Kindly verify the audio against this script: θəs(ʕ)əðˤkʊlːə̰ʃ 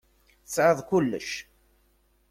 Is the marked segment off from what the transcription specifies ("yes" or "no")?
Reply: no